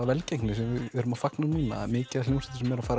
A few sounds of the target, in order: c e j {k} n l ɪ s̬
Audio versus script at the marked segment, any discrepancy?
no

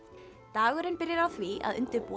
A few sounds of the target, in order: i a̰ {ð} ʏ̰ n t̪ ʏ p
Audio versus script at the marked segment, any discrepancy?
no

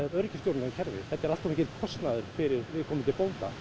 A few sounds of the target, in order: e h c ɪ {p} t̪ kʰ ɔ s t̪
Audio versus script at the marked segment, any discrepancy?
yes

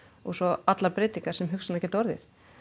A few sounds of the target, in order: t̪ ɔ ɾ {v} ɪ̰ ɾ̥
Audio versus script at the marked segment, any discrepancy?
yes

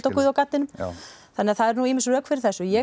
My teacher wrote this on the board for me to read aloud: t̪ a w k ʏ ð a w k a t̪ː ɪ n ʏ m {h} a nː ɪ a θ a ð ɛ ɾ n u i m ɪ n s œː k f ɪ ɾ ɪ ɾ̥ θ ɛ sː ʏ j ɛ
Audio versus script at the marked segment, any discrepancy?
yes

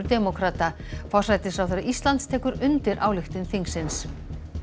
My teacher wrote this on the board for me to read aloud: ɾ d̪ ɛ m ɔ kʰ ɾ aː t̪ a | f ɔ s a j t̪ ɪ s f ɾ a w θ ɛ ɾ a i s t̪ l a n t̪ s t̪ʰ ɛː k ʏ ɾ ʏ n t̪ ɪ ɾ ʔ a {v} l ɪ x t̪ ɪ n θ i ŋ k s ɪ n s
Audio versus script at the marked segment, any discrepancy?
yes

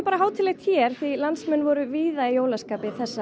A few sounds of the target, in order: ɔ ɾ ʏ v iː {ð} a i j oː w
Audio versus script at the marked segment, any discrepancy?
no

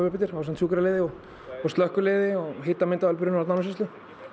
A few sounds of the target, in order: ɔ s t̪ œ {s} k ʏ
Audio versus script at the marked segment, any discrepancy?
yes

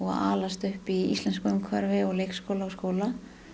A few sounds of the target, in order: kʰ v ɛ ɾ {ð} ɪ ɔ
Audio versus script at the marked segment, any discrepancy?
yes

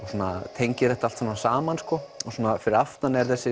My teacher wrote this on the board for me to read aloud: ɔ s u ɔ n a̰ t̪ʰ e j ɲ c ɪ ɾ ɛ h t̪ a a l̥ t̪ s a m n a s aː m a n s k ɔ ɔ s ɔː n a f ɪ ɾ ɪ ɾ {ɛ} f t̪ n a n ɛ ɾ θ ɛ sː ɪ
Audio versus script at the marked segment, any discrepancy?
yes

